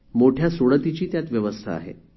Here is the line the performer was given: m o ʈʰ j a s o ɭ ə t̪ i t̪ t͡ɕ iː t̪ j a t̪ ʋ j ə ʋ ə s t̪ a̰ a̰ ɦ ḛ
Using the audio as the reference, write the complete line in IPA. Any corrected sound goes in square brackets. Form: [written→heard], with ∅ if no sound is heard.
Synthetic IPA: m o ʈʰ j a s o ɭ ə t̪ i [t̪→∅] t͡ɕ iː t̪ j a t̪ ʋ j ə ʋ ə s [t̪→t̪ʰ] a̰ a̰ ɦ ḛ